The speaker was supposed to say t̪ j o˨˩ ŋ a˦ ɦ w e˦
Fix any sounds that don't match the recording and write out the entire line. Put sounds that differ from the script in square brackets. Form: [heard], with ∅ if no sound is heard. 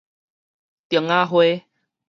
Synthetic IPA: t̪ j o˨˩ ŋ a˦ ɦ w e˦